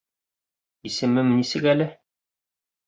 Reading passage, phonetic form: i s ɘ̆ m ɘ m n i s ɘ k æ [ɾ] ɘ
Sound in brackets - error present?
yes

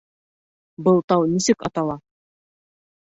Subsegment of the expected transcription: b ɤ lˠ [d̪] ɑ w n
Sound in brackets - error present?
yes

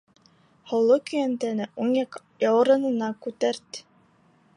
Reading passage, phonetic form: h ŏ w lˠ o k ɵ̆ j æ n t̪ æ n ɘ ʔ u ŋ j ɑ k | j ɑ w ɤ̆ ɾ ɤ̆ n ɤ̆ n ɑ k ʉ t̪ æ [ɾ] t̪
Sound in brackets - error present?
no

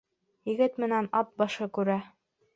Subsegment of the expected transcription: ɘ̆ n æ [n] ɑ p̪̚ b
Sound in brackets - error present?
no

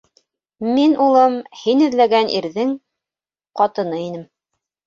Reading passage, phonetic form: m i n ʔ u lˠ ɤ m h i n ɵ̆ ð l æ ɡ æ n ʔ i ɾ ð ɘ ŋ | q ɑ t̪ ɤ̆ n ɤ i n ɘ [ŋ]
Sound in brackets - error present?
yes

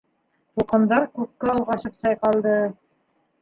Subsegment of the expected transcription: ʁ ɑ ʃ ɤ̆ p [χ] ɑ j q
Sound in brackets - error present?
yes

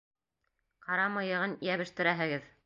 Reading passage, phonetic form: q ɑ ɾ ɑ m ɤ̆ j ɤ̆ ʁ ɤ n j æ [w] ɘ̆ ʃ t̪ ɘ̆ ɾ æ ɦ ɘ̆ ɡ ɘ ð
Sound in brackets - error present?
yes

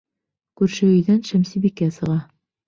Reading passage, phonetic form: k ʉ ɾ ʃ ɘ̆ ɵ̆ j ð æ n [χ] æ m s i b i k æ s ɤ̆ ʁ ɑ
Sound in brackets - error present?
yes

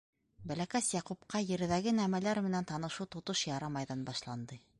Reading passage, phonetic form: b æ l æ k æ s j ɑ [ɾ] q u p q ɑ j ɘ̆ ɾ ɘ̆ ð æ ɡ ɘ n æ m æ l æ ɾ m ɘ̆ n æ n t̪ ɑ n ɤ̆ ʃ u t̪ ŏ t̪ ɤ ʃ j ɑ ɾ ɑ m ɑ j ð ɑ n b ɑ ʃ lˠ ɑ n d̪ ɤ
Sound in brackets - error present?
yes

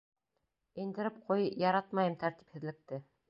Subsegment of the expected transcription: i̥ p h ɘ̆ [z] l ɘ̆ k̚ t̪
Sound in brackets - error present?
yes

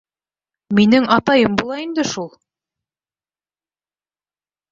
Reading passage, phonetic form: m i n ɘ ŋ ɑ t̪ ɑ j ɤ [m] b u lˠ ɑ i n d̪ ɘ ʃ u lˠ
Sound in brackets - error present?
no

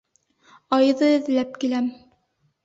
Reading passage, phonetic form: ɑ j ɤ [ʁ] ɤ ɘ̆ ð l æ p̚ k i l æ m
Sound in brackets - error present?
yes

